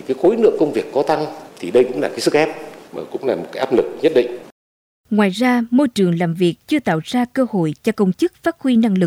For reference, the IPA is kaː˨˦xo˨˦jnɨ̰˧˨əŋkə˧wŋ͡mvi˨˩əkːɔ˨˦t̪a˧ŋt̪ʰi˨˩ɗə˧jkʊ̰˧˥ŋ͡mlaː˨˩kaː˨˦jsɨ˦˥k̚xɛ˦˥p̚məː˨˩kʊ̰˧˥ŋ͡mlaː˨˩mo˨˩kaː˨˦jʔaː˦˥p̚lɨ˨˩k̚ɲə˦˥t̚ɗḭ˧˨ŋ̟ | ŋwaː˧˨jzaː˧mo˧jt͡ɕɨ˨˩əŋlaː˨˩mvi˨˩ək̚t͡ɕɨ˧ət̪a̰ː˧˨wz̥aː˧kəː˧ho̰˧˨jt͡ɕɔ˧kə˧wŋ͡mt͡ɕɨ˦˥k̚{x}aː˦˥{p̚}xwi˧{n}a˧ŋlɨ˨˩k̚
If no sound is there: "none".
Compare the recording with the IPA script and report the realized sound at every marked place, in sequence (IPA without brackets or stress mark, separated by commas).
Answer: f, t̚, n